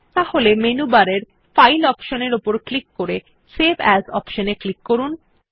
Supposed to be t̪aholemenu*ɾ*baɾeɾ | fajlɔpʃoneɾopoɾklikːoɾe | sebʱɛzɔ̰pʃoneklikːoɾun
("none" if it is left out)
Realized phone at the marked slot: none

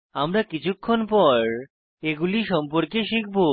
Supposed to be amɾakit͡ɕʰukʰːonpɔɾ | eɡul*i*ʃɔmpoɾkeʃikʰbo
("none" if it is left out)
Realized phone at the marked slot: i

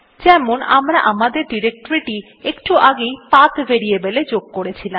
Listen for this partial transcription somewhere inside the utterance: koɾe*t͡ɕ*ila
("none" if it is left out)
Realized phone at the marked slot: t͡ɕʰ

